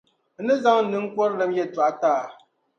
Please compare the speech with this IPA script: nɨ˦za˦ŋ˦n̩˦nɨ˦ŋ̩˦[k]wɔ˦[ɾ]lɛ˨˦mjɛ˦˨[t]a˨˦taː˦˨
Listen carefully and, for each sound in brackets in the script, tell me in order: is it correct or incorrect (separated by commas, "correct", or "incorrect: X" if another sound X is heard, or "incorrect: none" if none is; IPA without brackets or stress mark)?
correct, correct, correct